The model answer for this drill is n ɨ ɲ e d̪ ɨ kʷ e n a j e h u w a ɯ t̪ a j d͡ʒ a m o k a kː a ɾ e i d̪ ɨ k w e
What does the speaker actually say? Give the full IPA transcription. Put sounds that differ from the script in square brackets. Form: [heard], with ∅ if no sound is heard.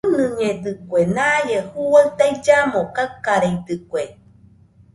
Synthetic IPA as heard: n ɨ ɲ e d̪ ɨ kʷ e n a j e h u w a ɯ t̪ a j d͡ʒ a m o k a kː a ɾ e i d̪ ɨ k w e